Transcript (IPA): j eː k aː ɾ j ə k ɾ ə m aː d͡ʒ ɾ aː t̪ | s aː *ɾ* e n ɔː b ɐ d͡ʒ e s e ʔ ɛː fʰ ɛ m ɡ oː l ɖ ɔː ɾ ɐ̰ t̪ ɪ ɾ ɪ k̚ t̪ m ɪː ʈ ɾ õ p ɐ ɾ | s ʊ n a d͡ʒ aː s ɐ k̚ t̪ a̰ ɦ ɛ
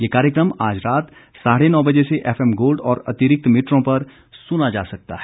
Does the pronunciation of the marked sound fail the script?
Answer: yes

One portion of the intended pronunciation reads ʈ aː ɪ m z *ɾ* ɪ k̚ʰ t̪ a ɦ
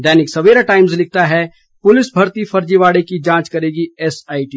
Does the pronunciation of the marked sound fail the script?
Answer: yes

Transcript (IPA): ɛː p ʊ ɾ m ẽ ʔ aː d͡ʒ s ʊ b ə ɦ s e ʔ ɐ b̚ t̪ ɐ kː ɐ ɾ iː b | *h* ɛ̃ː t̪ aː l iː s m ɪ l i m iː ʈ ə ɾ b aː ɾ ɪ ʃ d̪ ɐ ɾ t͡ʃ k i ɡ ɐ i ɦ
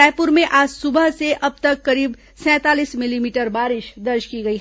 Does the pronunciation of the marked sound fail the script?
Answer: yes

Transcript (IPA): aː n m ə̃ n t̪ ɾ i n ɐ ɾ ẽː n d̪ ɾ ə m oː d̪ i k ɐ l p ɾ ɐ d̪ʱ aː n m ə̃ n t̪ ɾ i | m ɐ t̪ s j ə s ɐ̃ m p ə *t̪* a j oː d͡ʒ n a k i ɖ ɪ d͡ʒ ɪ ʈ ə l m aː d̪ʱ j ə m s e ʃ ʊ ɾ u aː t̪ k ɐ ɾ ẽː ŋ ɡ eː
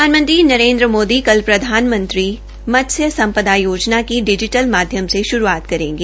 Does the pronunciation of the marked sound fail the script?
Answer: yes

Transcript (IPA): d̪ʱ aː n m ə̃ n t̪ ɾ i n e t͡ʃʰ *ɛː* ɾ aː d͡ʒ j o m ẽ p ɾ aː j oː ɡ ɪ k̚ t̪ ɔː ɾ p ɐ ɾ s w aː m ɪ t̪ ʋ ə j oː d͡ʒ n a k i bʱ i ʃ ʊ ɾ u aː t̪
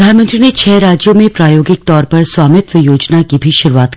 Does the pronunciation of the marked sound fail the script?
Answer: no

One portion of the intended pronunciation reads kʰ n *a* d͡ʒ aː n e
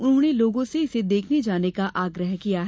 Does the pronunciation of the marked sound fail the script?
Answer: yes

